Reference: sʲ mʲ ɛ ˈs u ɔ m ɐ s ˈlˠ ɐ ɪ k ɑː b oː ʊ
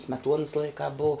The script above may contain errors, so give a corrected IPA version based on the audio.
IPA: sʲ mʲ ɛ ˈt u ɔ n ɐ s ˈlˠ ɐ ɪ k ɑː b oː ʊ

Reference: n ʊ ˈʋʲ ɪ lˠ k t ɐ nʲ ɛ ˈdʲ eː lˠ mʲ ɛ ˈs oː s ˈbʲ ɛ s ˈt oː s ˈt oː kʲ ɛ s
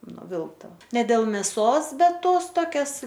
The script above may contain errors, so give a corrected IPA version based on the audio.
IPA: n ʊ ˈʋʲ ɪ lˠ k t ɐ nʲ ɛ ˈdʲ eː lˠ mʲ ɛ ˈs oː s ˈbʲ ɛ t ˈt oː s ˈt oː kʲ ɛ s

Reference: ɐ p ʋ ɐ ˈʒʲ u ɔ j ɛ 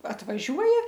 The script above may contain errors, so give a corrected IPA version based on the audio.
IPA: ɐ t ʋ ɐ ˈʒʲ u ɔ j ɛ

